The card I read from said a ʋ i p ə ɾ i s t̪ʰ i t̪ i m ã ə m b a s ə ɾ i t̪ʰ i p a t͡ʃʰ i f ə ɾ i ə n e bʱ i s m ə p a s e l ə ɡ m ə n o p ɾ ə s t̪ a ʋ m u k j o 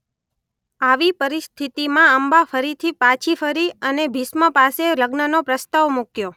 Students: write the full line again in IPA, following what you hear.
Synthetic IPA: a ʋ i p ə ɾ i s t̪ʰ i t̪ i m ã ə m b a f ə ɾ i t̪ʰ i p a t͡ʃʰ i f ə ɾ i ə n e bʱ i s m ə p a s e l ə ɡ n ə n o p ɾ ə s t̪ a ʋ m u k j o

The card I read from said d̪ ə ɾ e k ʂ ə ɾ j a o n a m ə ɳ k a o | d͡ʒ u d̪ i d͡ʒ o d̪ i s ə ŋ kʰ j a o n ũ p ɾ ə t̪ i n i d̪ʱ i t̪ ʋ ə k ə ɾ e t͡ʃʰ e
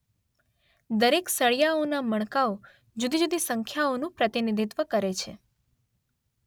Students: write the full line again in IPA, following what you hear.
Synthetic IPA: d̪ ə ɾ e k s ə ɭ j a o n a m ə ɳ k a o | d͡ʒ u d̪ i d͡ʒ u d̪ i s ə ŋ kʰ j a o n ũ p ɾ ə t̪ i n i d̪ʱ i t̪ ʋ ə k ə ɾ e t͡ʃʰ e

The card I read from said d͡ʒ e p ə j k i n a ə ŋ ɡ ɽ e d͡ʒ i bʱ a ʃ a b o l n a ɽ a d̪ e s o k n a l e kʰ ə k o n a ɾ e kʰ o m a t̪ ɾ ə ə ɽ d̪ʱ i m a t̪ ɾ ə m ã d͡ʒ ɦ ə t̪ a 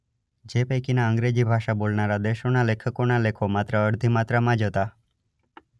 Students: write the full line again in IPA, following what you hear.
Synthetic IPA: d͡ʒ e p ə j k i n a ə ŋ ɡ ɾ e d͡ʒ i bʱ a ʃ a b o l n a ɾ a d̪ e ʃ o n a l e kʰ ə k o n a l e kʰ o m a t̪ ɾ ə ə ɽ d̪ʱ i m a t̪ ɾ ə m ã d͡ʒ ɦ ə t̪ a

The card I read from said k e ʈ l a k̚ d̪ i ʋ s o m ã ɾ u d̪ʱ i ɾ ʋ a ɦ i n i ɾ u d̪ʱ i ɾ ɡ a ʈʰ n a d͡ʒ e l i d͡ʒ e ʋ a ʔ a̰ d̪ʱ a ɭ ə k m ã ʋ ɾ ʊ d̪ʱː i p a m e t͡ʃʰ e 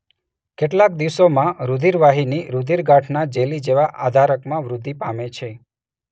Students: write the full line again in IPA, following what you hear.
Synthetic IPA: k e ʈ l a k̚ d̪ i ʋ s o m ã ɾ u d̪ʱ i ɾ ʋ a ɦ i n i ɾ u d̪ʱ i ɾ ɡ a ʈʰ n a d͡ʒ e l i d͡ʒ e ʋ a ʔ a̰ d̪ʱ a ɾ ə k m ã ʋ ɾ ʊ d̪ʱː i p a m e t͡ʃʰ e

